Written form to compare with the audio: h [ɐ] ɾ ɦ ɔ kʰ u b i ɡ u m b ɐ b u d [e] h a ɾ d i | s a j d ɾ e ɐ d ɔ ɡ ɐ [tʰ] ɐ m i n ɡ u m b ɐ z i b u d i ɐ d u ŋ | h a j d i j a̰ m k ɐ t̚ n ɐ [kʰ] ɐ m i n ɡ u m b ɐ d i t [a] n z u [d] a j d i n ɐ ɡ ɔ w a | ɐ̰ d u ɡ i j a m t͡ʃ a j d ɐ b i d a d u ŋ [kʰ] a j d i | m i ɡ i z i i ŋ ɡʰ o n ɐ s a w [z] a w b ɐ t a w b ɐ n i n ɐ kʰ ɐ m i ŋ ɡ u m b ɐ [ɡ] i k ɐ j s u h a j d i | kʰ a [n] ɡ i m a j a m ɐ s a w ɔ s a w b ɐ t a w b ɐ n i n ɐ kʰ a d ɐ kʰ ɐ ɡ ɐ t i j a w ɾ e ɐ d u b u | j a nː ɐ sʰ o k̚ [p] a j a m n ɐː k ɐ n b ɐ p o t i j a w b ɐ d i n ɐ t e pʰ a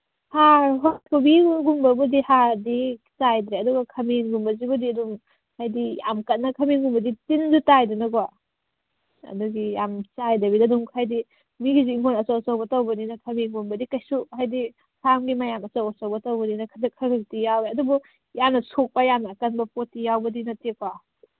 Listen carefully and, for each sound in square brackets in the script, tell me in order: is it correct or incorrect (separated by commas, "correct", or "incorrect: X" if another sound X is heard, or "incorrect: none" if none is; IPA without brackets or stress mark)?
incorrect: a, incorrect: i, incorrect: kʰ, correct, incorrect: i, incorrect: t, correct, incorrect: s, incorrect: d, incorrect: m, correct